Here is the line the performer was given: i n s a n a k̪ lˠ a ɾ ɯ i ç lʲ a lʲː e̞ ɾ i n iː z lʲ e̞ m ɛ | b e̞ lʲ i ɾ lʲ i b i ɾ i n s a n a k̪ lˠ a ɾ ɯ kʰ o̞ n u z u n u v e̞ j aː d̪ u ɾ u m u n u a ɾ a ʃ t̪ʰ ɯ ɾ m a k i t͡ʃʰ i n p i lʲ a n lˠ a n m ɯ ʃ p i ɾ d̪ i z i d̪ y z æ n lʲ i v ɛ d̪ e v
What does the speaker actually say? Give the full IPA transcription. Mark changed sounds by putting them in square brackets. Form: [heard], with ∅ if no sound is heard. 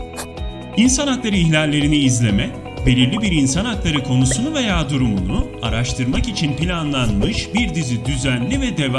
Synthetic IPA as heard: i n s a n a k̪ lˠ a ɾ ɯ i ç lʲ a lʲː e̞ ɾ i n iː z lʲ e̞ m ɛ | b e̞ lʲ i ɾ lʲ i b i ɾ i n s a n a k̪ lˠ a ɾ ɯ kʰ o̞ n u [s] u n u v e̞ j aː d̪ u ɾ u m u n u a ɾ a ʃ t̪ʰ ɯ ɾ m a k i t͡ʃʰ i n p i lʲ a n lˠ a n m ɯ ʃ [b] i ɾ d̪ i z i d̪ y z æ n lʲ i v ɛ d̪ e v